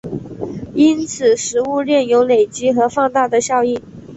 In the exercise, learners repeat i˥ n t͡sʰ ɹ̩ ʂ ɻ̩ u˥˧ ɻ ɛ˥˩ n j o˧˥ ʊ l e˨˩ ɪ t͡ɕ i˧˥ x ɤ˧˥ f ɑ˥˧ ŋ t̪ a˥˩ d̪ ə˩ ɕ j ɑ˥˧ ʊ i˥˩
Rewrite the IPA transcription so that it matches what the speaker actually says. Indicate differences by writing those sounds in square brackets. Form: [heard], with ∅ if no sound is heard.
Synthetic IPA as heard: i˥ n t͡sʰ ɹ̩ ʂ ɻ̩ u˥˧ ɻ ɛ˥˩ n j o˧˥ ʊ l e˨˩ ɪ t͡ɕ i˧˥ x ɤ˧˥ f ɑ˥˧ ŋ t̪ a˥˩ d̪ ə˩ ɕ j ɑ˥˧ ʊ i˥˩